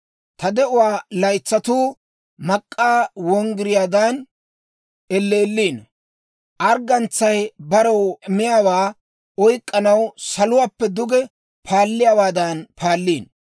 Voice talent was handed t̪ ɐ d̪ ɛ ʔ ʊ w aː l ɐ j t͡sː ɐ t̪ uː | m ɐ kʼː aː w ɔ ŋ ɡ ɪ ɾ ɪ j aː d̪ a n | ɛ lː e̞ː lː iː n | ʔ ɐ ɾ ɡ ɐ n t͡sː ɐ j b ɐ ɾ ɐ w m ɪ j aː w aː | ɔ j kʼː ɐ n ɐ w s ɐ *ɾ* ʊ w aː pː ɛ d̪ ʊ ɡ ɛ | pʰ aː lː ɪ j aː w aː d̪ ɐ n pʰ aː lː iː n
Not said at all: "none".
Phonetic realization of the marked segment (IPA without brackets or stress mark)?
l